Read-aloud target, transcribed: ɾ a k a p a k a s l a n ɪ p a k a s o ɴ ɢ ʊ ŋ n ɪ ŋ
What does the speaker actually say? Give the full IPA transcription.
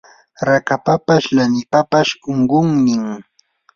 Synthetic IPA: ɾ a k a p a p a ʃ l a n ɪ p a p a ʃ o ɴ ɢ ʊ ŋ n ɪ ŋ